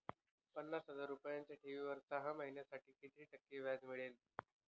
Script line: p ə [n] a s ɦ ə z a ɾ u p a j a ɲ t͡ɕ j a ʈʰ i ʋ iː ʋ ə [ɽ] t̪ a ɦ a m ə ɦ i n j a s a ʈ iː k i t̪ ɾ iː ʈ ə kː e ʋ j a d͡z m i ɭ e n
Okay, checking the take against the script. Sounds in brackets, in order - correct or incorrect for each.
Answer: incorrect: nː, incorrect: ɾ

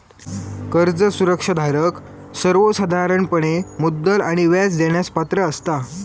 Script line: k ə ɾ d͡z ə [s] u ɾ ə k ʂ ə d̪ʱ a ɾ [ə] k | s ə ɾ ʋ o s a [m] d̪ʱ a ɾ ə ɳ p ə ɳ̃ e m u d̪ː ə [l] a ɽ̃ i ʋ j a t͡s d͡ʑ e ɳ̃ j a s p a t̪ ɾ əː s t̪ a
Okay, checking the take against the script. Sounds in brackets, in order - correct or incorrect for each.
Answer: correct, correct, incorrect: none, correct

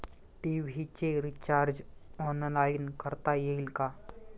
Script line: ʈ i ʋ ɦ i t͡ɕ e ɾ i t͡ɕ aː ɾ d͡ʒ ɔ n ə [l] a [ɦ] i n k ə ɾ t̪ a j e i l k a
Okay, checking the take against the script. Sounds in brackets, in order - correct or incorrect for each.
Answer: correct, incorrect: none

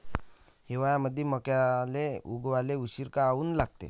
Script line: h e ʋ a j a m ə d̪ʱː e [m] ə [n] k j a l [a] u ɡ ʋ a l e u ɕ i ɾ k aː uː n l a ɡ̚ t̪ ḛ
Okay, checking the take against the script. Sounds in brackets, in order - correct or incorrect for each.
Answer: correct, incorrect: none, incorrect: e

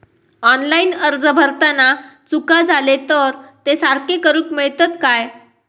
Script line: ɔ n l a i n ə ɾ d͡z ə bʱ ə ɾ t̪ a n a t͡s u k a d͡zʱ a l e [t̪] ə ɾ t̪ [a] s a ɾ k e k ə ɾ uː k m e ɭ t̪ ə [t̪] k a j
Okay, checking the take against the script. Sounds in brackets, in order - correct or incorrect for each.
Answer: correct, incorrect: e, correct

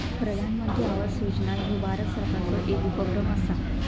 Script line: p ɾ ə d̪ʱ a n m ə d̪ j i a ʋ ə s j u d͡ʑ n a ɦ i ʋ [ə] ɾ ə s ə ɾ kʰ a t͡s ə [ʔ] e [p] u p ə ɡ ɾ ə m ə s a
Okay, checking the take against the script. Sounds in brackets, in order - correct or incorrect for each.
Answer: incorrect: a, correct, incorrect: k

